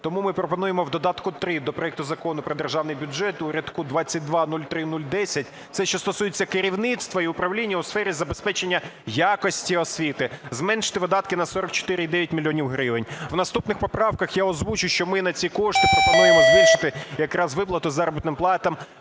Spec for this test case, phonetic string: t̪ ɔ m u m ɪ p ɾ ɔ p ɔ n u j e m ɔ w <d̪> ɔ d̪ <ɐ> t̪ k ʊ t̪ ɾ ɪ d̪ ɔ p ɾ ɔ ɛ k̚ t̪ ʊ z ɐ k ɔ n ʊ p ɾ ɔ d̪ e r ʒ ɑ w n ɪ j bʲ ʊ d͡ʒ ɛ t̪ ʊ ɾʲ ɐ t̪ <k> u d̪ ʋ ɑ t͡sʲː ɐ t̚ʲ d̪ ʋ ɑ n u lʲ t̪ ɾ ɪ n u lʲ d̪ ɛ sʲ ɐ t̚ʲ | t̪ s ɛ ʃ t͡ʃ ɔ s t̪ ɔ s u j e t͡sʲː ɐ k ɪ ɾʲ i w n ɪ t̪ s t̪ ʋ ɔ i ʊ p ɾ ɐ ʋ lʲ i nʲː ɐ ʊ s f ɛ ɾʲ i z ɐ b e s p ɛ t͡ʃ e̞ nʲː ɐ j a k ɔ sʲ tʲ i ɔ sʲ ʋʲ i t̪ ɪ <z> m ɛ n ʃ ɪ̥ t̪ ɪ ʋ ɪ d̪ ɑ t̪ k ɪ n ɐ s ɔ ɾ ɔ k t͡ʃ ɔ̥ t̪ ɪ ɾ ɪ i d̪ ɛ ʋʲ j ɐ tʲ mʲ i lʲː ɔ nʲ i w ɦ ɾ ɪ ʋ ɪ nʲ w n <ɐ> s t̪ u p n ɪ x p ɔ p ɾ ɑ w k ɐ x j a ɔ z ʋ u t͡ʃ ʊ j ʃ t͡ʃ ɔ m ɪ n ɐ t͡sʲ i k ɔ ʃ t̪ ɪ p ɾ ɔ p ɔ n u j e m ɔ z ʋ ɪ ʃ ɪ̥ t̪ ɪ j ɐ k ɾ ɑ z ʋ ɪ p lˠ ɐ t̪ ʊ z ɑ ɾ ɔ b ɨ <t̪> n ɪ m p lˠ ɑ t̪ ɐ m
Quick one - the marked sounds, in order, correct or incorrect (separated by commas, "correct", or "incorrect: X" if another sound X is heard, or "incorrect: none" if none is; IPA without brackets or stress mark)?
correct, incorrect: ɑ, correct, correct, correct, correct